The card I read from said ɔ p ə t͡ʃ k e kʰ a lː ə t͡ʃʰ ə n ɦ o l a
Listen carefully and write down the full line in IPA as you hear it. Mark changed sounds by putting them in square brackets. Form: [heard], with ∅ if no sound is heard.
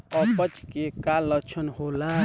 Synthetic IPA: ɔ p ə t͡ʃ k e [k] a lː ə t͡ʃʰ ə n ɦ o l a